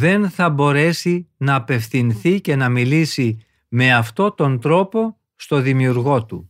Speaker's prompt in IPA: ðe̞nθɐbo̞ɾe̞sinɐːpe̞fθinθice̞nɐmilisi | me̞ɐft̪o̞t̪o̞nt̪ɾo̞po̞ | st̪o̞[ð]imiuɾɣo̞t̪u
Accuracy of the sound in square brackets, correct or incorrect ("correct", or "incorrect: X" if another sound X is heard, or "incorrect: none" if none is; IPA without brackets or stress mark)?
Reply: correct